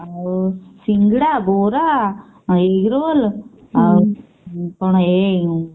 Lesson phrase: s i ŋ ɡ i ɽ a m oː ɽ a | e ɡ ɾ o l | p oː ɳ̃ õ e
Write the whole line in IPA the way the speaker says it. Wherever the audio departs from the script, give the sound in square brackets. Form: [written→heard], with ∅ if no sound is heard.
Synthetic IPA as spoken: s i ŋ ɡ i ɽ a [m→b] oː [ɽ→ɾ] a | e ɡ ɾ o l | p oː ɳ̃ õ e

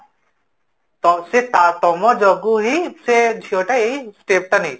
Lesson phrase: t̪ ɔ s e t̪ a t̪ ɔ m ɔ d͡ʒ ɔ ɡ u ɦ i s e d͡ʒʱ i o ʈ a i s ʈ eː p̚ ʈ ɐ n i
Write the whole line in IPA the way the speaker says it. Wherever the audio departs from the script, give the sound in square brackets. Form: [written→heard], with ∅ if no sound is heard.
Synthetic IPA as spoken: t̪ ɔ s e t̪ a t̪ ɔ m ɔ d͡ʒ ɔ ɡ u ɦ i s e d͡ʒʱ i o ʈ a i s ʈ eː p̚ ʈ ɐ n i

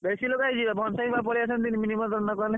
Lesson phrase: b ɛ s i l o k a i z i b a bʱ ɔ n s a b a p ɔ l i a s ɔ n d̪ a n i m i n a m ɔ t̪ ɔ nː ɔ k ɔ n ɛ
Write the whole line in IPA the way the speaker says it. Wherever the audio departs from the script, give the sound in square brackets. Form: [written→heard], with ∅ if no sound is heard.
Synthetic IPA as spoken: b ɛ s i l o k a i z i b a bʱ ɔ n s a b a p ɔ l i a s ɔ n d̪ [a→i] n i m i n [a→i] m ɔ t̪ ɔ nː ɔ k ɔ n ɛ

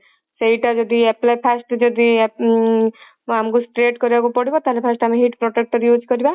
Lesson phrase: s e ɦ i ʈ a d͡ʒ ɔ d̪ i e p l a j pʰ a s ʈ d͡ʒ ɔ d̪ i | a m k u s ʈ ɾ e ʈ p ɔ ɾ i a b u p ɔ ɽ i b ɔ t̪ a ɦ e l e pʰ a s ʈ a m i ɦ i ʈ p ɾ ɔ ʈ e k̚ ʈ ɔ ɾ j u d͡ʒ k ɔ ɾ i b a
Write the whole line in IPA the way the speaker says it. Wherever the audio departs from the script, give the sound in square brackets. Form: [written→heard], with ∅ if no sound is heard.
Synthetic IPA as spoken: s e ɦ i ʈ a d͡ʒ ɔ d̪ i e p l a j pʰ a s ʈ d͡ʒ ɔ d̪ i | a m k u s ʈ ɾ e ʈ [p→k] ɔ ɾ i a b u p ɔ ɽ i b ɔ t̪ a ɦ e l e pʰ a s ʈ a m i ɦ i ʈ p ɾ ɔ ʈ e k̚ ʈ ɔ ɾ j u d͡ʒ k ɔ ɾ i b a

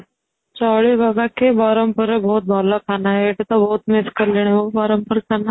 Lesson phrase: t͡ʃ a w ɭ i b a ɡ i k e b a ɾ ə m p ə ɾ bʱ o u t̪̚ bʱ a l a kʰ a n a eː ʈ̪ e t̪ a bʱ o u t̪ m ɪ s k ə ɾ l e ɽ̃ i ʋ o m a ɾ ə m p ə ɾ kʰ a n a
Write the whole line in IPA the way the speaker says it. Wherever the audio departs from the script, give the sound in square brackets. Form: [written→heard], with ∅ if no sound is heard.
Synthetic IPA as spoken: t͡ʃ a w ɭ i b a ɡ [i→a] k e b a ɾ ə m p ə ɾ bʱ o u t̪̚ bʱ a l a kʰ a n a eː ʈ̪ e t̪ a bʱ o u t̪ m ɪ s k ə ɾ l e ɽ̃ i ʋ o [m→b] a ɾ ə m p ə ɾ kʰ a n a

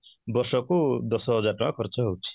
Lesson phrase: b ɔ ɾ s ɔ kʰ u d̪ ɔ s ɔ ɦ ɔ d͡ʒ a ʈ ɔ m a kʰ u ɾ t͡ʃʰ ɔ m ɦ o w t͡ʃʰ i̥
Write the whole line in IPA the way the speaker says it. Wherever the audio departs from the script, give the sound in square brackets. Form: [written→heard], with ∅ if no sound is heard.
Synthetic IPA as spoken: b ɔ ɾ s ɔ [kʰ→k] u d̪ ɔ s ɔ ɦ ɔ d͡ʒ a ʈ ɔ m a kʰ [u→ɔ] ɾ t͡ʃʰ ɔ [m→∅] ɦ o w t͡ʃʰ i̥

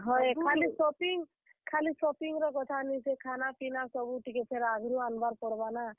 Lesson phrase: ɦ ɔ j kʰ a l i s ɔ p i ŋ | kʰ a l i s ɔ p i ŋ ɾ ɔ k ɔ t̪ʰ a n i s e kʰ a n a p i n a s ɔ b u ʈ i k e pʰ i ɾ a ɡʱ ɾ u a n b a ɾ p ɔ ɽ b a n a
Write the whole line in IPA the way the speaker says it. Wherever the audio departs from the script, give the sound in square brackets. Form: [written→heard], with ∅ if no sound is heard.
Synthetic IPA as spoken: ɦ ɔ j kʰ a l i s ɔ p i ŋ | kʰ a l i s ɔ p i ŋ ɾ ɔ k ɔ t̪ʰ a n i s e kʰ a n a p i n a s ɔ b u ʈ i k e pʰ [i→e] ɾ a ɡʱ ɾ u a n b a ɾ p ɔ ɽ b a n a

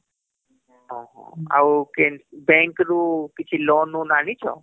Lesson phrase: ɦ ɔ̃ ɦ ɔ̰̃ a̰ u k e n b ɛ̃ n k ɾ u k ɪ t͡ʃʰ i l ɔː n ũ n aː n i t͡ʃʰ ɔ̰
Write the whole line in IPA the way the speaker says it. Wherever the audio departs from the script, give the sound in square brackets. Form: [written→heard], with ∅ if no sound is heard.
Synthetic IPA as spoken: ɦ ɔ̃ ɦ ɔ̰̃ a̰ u k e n b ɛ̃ [n→ŋ] k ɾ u k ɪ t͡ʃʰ i l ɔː n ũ n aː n i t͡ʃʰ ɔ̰

